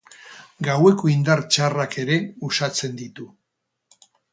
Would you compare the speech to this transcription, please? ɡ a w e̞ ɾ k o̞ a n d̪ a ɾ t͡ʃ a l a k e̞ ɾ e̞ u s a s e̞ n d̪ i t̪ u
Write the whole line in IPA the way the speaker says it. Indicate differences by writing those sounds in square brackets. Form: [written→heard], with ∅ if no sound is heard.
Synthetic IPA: ɡ a w e̞ [ɾ→∅] k o̞ [a→i] n d̪ a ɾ t͡ʃ a [l→r] a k e̞ ɾ e̞ u s a [s→t͡s] e̞ n d̪ i t̪ u